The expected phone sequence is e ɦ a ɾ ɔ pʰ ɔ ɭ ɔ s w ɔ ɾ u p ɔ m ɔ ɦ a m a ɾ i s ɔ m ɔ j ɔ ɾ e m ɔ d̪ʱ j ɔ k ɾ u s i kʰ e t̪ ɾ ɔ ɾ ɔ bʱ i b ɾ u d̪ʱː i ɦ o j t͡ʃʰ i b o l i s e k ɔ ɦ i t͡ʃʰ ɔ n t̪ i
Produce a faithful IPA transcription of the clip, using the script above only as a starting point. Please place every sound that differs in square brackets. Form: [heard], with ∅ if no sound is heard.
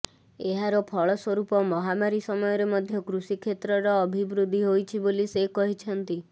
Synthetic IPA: e ɦ a ɾ ɔ pʰ ɔ ɭ ɔ s w ɔ ɾ u p ɔ m ɔ ɦ a m a ɾ i s ɔ m ɔ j ɔ ɾ e m ɔ d̪ʱ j ɔ k ɾ u s i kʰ e t̪ ɾ ɔ ɾ [ɔː] bʱ i b ɾ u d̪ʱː i ɦ o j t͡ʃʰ i b o l i s e k ɔ ɦ i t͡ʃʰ ɔ n t̪ i